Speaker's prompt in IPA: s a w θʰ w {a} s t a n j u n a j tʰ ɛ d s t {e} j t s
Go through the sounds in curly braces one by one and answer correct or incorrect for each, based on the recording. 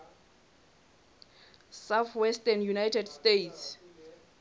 incorrect: ɛ, correct

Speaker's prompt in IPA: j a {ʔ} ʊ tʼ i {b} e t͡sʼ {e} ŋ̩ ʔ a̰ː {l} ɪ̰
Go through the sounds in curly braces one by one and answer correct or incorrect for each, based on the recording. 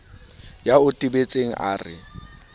incorrect: none, correct, correct, incorrect: r

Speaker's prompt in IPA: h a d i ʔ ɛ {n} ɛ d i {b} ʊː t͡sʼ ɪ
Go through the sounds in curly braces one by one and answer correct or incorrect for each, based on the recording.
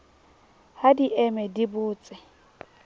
incorrect: m, correct

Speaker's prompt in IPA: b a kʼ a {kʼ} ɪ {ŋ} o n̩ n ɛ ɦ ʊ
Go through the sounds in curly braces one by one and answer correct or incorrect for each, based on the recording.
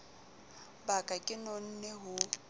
correct, incorrect: n

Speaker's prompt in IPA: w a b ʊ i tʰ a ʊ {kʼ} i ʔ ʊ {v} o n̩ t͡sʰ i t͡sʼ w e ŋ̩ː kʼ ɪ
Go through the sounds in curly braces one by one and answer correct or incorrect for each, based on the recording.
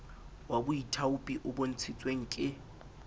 incorrect: pʼ, incorrect: b

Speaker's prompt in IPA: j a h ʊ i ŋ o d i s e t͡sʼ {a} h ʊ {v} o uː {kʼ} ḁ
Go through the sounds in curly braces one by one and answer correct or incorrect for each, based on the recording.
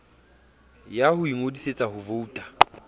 correct, correct, incorrect: tʼ

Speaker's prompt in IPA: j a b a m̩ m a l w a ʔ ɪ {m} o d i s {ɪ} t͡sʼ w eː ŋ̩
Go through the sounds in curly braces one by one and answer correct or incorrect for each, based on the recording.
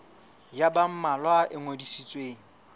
incorrect: ŋ, incorrect: i

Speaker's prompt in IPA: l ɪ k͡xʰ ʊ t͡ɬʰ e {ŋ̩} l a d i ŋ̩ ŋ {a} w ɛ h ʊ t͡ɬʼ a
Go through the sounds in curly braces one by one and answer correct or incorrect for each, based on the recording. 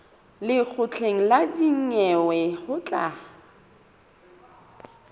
correct, incorrect: ɛ

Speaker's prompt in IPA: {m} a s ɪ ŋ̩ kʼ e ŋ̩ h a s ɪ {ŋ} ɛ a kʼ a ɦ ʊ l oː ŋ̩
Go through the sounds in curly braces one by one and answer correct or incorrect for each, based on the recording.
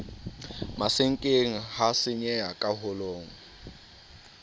correct, incorrect: ɲ

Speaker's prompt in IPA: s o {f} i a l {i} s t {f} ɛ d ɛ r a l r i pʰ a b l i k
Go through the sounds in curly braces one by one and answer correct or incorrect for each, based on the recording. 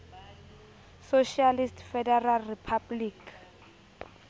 incorrect: ʃ, correct, correct

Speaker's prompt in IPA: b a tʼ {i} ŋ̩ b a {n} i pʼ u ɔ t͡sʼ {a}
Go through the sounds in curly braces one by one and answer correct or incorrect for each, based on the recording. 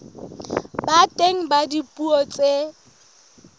incorrect: e, incorrect: d, incorrect: e

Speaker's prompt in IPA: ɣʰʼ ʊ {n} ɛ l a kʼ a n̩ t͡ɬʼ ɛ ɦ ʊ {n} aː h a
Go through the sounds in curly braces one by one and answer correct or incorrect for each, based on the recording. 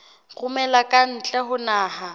incorrect: m, correct

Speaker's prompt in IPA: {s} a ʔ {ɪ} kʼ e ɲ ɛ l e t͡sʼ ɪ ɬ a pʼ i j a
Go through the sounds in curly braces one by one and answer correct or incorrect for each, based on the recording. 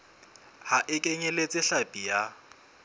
incorrect: h, correct

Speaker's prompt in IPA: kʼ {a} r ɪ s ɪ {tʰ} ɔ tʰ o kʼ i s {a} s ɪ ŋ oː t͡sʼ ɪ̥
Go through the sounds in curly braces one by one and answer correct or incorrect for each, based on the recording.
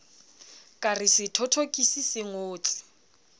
correct, correct, incorrect: i

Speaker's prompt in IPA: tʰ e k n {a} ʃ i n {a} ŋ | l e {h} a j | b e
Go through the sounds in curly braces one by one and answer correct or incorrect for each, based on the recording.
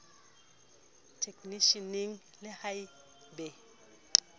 incorrect: i, incorrect: i, correct

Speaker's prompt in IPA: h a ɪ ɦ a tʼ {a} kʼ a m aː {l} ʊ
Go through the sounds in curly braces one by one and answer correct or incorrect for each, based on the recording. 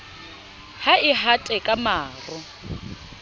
incorrect: ɛ, incorrect: r

